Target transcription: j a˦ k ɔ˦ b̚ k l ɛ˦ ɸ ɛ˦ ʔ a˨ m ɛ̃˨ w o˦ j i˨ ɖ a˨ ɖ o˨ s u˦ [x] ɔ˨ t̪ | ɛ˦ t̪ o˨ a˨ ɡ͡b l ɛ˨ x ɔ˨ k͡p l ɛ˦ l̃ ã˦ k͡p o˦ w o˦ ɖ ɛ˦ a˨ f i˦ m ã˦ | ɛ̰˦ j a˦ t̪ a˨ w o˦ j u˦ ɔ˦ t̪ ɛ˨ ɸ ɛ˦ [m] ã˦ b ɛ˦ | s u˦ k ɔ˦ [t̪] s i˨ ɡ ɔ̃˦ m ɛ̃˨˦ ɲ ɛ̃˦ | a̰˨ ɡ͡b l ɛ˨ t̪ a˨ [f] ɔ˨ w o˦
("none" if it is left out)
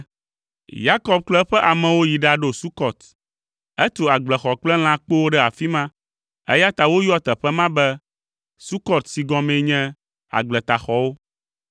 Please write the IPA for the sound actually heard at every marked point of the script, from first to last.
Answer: k, m, t̪, x

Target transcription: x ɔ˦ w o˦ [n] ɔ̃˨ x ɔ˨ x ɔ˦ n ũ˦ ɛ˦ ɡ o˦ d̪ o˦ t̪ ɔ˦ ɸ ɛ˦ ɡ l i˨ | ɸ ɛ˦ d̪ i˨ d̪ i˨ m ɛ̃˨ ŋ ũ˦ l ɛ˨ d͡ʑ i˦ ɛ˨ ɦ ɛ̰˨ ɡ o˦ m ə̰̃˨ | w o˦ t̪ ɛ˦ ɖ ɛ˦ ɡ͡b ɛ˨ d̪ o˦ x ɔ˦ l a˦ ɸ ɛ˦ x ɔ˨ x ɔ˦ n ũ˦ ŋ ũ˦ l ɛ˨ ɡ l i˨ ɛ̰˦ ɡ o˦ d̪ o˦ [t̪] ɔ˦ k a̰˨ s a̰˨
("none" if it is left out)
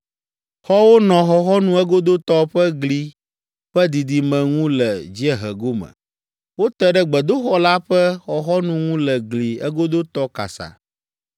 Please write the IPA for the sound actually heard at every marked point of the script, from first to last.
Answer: n, t̪

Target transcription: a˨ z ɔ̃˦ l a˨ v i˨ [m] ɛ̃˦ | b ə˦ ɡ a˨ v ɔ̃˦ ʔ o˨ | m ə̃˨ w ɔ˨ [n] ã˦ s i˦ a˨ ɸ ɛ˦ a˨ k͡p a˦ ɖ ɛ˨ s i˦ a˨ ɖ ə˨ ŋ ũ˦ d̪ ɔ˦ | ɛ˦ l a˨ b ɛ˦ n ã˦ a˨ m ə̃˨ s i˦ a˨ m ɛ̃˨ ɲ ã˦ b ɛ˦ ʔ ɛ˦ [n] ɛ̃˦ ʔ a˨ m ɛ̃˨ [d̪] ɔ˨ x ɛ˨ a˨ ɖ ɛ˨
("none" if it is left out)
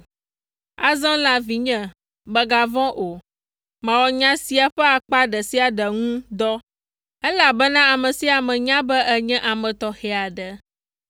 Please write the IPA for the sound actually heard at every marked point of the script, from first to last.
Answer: ɲ, ɲ, ɲ, t̪

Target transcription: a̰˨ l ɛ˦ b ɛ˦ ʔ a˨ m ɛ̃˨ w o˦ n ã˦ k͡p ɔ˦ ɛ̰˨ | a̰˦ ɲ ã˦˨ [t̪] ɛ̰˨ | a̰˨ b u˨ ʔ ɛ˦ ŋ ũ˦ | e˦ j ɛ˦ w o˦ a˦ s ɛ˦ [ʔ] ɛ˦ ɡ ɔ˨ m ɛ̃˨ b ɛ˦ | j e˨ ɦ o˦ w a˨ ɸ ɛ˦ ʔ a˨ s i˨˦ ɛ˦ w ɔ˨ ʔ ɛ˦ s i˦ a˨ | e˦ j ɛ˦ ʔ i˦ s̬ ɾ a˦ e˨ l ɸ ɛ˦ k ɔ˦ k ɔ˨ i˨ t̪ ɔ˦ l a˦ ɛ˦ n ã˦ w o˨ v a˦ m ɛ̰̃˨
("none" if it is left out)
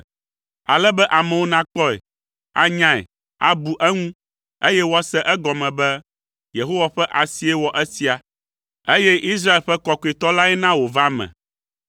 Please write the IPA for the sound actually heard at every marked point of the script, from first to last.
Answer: none, ʔ

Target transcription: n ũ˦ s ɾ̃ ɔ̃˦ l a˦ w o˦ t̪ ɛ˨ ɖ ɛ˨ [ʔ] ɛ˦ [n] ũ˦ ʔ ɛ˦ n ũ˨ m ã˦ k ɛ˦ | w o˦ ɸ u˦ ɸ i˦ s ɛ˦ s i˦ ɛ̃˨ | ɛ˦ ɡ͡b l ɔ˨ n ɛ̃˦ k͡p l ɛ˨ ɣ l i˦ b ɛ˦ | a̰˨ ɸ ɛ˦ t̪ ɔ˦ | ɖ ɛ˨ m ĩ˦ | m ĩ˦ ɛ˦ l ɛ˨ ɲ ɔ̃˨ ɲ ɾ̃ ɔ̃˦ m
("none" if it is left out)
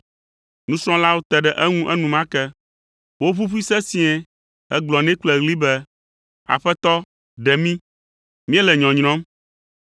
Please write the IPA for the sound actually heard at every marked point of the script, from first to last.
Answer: ʔ, ŋ

